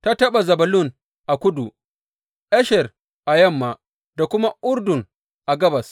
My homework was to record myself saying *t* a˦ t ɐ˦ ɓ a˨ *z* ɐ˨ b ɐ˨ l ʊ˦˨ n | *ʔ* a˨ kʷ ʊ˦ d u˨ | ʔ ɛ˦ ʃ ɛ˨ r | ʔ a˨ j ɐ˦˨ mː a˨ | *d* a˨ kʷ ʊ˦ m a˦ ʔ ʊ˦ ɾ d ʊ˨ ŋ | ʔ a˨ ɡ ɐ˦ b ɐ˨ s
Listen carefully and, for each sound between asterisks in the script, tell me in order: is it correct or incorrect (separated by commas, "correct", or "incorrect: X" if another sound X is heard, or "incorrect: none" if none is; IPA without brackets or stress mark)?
correct, correct, correct, correct